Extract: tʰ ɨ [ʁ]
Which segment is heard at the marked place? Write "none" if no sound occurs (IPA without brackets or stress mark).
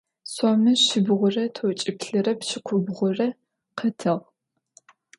ʁ